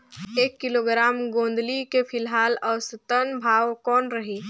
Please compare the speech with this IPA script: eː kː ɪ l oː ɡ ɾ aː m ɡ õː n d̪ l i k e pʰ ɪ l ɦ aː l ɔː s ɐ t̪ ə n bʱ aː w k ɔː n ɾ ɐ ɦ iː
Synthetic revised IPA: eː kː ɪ l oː ɡ ɾ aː m ɡ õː n d̪ l i k e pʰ ɪ l ɦ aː l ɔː s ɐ t̪ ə n bʱ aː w k ɔː n ɾ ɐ ɦ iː